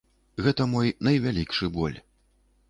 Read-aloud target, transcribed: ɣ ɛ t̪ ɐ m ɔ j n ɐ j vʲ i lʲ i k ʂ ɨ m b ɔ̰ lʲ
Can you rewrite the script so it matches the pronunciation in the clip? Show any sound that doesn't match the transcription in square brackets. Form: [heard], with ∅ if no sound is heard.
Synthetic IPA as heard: ɣ ɛ t̪ ɐ m ɔ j n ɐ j vʲ [a] lʲ i k ʂ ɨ [∅] b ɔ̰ lʲ